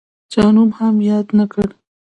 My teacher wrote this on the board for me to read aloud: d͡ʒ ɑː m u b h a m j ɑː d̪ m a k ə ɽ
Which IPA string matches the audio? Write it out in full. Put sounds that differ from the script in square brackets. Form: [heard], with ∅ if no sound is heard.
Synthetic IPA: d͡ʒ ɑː [n] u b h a m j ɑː d̪ [n] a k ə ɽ